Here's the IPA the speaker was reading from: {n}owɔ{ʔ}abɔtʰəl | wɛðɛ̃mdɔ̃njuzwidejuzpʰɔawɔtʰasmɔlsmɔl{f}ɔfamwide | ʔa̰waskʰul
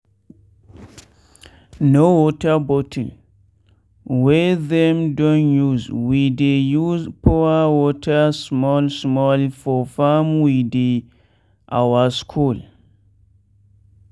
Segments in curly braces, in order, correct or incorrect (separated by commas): correct, incorrect, correct